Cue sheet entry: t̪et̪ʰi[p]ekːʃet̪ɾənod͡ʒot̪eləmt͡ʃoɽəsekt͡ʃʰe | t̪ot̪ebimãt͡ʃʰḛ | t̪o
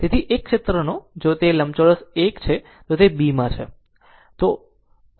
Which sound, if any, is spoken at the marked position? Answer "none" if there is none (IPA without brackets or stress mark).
ʔ